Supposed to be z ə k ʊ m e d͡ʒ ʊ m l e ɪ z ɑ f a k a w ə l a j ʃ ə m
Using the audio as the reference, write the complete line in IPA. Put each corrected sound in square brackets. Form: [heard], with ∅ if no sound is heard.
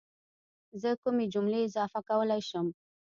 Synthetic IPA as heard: z ə k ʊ m e d͡ʒ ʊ m l e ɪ z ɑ f a k a w ə l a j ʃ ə m

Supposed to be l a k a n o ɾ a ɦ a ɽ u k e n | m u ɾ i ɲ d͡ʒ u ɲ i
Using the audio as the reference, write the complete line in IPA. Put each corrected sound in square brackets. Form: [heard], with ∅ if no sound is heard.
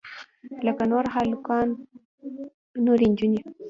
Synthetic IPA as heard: l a k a n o ɾ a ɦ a [l] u k [a] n | [n] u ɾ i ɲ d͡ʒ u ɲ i

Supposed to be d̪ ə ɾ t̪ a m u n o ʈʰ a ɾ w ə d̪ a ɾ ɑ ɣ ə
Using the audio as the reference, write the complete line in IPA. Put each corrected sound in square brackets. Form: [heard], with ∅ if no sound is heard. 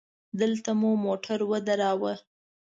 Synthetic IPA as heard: d̪ ə [l] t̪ a m u [m] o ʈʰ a ɾ w ə d̪ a ɾ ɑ [w] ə

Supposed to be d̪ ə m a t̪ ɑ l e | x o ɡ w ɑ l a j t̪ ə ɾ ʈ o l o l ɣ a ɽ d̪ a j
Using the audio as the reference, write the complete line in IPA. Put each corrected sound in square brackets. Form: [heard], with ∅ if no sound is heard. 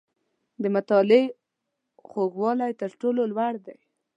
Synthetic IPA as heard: d̪ ə m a t̪ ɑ l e | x o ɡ w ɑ l a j t̪ ə ɾ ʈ o l o l [w] a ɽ d̪ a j

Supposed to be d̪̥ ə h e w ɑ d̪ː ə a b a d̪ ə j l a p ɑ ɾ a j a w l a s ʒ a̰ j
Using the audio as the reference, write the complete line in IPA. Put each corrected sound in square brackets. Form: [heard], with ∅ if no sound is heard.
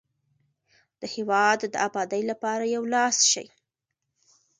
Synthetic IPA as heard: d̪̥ ə h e w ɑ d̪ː ə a b [ɑ] d̪ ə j l a p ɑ ɾ a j a w l [ɑ] s [ʃ] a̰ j

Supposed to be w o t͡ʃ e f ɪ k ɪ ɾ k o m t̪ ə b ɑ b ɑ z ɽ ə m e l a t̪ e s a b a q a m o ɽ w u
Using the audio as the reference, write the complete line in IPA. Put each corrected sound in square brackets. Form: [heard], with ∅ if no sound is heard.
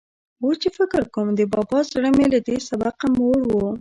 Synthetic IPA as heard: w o t͡ʃ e f ɪ k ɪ ɾ k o m [d̪] ə b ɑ b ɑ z ɽ ə m e l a [d̪] e s a b a q a m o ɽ w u

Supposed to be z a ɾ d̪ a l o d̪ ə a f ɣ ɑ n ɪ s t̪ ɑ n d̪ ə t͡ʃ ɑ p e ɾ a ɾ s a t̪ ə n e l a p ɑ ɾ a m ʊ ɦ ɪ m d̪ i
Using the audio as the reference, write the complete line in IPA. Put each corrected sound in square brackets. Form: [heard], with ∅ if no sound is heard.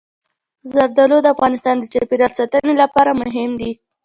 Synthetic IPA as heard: z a ɾ d̪ a l o d̪ ə a f ɣ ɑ n ɪ s t̪ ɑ n d̪ ə t͡ʃ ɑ p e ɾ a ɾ s a t̪ ə n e l a p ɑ ɾ a m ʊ ɦ ɪ m d̪ i

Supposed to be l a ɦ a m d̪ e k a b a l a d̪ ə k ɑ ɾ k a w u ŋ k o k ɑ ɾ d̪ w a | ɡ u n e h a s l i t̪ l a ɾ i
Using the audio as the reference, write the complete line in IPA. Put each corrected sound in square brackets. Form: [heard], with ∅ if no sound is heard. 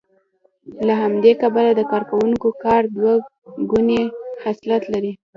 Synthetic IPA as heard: l a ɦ a m d̪ e k a b a l a d̪ ə k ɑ ɾ k a w u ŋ k o k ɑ ɾ d̪ w a | ɡ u n e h a s l [a] t̪ l a ɾ i

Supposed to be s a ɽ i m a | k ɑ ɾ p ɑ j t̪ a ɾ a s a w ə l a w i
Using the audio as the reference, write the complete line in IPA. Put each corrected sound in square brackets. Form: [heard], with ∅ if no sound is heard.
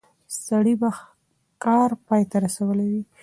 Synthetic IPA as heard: s a ɽ i [b] a | k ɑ ɾ p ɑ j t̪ a ɾ a s a w ə l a w i

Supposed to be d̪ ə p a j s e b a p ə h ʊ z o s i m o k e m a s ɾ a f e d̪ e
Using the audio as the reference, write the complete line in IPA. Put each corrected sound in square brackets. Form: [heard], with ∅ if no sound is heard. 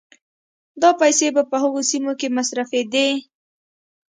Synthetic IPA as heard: d̪ [ɑ] p a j s e b a p ə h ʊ [ɣ] o s i m o k e m a s ɾ a f e d̪ e

